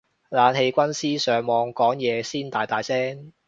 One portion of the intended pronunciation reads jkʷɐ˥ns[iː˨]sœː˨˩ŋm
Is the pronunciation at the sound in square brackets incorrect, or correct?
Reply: incorrect